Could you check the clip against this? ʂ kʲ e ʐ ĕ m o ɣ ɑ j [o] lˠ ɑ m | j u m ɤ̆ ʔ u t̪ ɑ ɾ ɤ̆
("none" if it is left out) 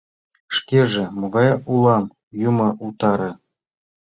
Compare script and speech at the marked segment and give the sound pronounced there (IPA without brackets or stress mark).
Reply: u